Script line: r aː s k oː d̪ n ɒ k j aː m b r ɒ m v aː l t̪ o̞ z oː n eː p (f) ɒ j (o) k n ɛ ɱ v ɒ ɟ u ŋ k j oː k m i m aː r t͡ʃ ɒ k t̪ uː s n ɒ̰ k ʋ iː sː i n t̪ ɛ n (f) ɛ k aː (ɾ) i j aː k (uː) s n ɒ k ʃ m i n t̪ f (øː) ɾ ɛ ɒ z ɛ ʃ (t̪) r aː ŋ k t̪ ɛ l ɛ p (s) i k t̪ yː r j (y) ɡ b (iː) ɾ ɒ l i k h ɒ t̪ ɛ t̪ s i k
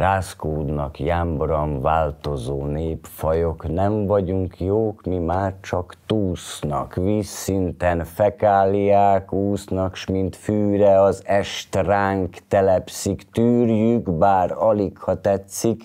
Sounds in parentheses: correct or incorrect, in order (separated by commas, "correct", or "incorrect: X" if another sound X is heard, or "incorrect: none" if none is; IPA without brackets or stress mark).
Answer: correct, correct, correct, incorrect: l, correct, incorrect: yː, correct, correct, correct, incorrect: aː